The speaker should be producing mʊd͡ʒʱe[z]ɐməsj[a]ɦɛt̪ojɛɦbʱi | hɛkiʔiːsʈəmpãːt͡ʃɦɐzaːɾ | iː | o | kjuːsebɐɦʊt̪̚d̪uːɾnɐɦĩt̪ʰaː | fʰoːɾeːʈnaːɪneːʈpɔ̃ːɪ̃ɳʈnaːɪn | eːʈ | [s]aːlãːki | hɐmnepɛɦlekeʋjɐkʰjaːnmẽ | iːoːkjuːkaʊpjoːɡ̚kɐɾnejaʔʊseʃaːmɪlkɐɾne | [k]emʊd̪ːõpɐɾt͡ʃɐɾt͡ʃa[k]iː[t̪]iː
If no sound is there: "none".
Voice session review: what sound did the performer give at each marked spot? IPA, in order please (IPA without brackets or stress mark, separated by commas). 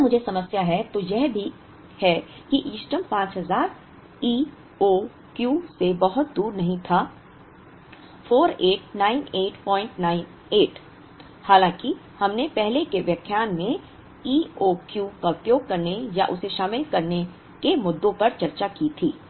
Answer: s, a, h, k, k, t̪ʰ